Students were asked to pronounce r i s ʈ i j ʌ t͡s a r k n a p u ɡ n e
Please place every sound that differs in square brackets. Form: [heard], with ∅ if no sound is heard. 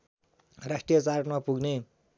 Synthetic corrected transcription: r [a] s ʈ i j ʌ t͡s a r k [m] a p u ɡ n e